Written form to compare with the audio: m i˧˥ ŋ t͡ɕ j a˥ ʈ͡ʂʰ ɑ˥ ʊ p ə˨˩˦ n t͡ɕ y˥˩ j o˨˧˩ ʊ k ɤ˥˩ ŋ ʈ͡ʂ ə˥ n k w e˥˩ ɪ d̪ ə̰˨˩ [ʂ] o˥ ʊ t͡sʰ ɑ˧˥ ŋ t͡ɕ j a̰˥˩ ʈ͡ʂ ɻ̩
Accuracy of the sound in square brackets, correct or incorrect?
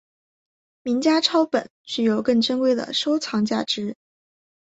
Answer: correct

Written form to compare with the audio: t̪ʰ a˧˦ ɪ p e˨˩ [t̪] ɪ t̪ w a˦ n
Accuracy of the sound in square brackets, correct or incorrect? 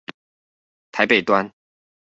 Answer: incorrect: none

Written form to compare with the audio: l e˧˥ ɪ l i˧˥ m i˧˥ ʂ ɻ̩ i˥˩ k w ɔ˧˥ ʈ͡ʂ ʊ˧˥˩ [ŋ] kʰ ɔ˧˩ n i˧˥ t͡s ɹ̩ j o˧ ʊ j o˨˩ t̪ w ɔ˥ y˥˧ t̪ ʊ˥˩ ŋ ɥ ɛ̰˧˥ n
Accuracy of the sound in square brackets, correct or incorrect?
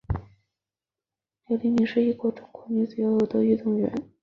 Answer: correct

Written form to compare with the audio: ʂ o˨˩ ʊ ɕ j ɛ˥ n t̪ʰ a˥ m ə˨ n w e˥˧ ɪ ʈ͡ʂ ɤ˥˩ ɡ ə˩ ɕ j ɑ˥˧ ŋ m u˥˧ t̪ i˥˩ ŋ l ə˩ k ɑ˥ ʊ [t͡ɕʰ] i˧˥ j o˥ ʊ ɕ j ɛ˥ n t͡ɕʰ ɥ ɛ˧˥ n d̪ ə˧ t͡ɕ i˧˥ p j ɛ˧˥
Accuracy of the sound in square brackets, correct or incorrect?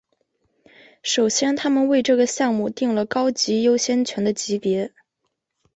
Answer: incorrect: t͡ɕ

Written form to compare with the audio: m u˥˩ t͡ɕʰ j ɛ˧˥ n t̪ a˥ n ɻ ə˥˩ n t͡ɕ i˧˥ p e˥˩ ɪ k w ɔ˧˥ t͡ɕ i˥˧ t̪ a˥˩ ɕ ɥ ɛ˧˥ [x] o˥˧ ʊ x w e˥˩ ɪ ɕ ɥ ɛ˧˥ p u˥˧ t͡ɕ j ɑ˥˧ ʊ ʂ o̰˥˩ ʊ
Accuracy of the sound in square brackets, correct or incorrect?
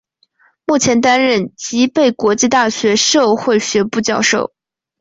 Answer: incorrect: ʂ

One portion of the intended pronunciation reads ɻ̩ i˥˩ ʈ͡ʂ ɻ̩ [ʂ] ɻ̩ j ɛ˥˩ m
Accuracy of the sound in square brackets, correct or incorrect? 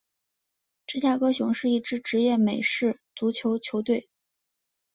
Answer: incorrect: ʈ͡ʂ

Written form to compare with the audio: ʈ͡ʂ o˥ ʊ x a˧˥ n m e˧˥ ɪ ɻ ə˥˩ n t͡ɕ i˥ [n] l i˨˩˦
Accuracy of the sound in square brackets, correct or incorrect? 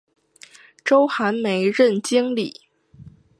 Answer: incorrect: ŋ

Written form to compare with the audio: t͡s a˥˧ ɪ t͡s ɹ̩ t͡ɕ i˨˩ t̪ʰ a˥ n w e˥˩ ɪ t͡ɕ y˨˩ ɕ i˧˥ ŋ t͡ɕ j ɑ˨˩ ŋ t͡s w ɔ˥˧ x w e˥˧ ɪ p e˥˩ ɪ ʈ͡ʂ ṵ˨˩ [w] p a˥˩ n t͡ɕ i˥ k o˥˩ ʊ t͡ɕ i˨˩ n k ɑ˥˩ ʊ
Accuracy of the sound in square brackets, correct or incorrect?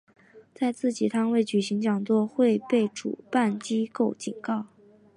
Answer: incorrect: none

